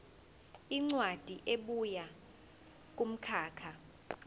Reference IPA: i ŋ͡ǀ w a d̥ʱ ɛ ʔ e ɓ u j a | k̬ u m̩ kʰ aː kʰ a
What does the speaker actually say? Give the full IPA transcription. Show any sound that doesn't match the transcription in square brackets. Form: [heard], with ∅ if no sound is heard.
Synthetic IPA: i ŋ͡ǀ w a d̥ʱ [i] ʔ e ɓ u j a | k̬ u m̩ kʰ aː kʰ a